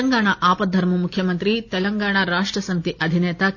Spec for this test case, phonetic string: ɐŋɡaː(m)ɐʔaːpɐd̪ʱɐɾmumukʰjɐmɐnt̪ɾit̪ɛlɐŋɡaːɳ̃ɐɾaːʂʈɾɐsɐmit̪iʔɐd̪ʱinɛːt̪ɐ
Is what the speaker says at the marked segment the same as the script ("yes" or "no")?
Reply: no